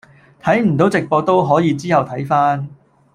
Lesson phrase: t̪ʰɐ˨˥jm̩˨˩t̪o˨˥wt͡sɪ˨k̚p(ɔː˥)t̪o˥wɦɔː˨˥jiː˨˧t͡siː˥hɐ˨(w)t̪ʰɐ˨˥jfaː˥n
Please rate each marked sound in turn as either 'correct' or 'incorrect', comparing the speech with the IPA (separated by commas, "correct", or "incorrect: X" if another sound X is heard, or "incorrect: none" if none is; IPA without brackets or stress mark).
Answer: incorrect: ɔː˧, correct